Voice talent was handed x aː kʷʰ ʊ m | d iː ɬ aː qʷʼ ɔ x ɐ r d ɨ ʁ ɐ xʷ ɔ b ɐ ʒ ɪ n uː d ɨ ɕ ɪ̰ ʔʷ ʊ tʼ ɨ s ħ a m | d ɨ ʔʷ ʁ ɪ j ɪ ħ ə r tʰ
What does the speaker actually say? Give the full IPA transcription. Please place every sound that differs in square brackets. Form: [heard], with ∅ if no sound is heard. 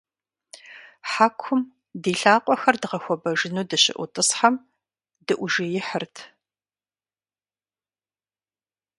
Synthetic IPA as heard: [ħ] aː kʷʰ ʊ m | d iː ɬ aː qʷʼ ɔ x ɐ r d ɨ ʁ ɐ xʷ ɔ b ɐ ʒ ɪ n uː d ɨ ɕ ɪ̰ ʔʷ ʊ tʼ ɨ s ħ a m | d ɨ ʔʷ [ʒ] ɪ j ɪ ħ ə r tʰ